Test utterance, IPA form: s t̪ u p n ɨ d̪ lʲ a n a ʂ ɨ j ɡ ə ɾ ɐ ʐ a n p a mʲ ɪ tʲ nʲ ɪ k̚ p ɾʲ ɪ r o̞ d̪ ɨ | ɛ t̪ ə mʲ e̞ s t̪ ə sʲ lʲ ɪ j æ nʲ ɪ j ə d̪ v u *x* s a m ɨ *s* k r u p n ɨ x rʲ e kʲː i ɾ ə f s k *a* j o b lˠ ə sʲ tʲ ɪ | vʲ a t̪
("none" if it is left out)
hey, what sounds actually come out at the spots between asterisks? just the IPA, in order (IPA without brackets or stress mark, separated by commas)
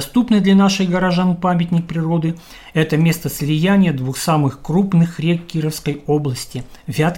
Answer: x, x, ə